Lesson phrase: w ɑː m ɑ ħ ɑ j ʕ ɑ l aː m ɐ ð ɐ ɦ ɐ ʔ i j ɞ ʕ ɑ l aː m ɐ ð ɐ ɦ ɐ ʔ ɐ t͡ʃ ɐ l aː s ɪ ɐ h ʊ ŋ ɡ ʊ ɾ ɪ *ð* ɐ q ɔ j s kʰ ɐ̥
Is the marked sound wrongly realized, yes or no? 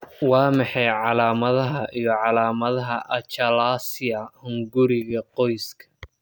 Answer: yes